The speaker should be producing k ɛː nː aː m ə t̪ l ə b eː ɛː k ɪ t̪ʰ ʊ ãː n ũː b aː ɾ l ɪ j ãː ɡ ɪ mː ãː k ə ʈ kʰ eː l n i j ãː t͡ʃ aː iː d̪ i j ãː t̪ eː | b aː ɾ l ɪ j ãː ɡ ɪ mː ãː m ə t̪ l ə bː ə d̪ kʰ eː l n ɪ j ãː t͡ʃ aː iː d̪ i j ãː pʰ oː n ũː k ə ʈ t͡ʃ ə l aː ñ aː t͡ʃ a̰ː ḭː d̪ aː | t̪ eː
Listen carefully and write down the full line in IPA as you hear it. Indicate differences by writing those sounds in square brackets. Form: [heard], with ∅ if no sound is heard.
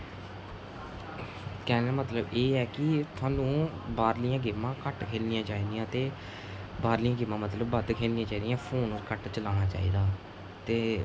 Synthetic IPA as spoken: k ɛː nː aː m ə t̪ l ə b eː ɛː k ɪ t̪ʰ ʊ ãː n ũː b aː ɾ l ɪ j ãː ɡ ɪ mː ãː k ə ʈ kʰ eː l n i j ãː t͡ʃ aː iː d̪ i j ãː t̪ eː | b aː ɾ l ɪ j ãː ɡ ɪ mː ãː m ə t̪ l ə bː ə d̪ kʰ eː l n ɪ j ãː t͡ʃ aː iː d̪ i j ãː pʰ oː n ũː k ə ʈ t͡ʃ ə l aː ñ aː t͡ʃ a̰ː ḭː d̪ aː | t̪ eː